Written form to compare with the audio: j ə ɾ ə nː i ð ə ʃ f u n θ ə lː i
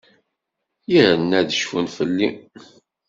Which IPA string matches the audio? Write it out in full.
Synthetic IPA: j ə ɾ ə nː æ ð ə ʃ f u n f ə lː i